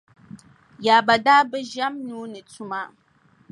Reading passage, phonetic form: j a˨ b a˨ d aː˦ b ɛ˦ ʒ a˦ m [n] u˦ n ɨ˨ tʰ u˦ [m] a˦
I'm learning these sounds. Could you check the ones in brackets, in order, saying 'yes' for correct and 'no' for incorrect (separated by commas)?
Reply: yes, yes